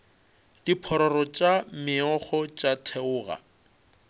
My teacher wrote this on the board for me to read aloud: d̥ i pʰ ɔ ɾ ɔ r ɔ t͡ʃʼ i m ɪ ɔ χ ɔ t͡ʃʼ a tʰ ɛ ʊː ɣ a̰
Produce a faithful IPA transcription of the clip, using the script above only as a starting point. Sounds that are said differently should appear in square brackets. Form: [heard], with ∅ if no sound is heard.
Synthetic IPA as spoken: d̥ i pʰ ɔ ɾ ɔ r ɔ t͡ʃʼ [a] m ɪ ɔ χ ɔ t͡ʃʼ a tʰ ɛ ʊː ɣ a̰